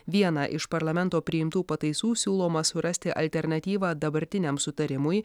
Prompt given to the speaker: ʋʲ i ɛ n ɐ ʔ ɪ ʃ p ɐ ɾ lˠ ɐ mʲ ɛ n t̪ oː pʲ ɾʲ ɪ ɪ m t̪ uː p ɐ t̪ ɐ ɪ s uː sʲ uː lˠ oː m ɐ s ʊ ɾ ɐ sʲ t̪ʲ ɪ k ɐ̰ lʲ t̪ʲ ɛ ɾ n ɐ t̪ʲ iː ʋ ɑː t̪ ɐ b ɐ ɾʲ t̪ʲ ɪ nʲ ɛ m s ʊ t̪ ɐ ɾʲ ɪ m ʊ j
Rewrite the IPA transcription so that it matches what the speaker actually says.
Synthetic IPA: ʋʲ i ɛ n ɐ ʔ ɪ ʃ p ɐ ɾ lˠ ɐ mʲ ɛ n t̪ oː pʲ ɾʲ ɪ ɪ m t̪ uː p ɐ t̪ ɐ ɪ s uː sʲ uː lˠ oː m ɐ s ʊ ɾ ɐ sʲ t̪ʲ ɪ ʔ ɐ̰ lʲ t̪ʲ ɛ ɾ n ɐ t̪ʲ iː ʋ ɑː d̪ ɐ b ɐ ɾʲ t̪ʲ ɪ nʲ ɛ m s ʊ t̪ ɐ ɾʲ ɪ m ʊ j